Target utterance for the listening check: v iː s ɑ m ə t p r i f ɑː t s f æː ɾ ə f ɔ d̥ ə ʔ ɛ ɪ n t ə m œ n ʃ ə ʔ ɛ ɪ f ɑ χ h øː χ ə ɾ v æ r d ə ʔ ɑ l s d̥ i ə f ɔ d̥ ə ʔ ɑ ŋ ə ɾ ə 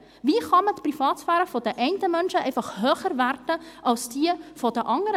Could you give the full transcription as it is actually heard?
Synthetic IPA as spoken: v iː χ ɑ m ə t p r i f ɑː t s f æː ɾ ə f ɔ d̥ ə ʔ ɛ ɪ n t ə m œ n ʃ ə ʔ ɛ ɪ f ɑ χ h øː χ ə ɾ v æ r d ə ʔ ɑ l s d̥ i ə f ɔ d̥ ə ʔ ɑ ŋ ə ɾ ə